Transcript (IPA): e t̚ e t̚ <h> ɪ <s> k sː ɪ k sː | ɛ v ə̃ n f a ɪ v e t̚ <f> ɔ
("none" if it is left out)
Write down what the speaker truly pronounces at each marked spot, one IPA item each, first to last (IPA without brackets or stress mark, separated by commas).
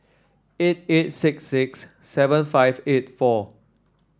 s, none, f